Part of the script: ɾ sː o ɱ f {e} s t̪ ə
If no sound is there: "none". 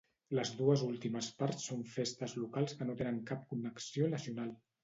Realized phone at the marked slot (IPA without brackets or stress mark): e